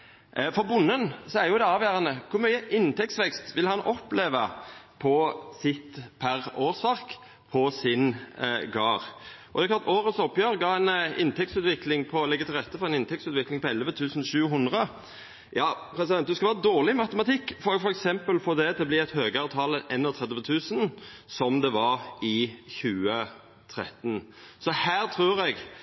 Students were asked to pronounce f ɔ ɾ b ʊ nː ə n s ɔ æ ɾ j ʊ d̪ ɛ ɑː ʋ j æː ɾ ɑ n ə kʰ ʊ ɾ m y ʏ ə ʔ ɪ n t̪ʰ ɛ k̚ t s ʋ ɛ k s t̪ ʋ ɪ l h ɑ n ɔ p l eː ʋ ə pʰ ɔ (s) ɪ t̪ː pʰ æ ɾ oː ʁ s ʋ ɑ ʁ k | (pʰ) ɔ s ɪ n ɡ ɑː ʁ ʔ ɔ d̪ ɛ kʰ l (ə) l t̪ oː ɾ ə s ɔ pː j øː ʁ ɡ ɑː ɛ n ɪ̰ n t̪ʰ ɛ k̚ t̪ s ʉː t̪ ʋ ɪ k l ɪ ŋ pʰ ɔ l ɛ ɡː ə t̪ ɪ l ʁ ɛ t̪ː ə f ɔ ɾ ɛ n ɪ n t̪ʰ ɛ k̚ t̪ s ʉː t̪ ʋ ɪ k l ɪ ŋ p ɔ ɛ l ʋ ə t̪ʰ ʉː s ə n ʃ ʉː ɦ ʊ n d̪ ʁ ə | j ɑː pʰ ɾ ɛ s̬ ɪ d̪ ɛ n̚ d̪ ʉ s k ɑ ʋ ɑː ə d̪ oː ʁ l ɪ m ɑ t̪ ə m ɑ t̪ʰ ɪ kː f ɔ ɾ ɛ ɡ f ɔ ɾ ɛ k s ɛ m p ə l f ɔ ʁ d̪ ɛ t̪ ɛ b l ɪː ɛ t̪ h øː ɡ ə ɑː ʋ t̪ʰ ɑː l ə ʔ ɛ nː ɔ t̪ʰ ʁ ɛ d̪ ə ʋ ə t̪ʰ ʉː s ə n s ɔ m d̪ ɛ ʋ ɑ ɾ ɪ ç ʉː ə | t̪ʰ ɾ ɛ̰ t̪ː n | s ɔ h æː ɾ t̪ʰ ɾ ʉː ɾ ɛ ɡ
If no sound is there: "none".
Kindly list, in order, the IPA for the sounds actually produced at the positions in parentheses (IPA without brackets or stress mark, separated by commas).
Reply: s, pʰ, ɑ